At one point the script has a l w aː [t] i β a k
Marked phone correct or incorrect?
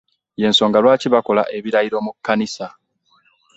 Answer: incorrect